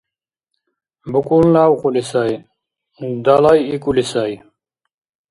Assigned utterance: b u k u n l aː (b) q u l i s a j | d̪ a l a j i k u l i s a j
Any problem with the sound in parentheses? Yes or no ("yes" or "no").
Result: yes